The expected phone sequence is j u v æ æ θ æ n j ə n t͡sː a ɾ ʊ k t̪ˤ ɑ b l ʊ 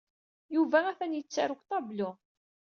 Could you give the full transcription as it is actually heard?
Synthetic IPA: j u v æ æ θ æ n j ə t͡sː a ɾ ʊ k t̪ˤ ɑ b l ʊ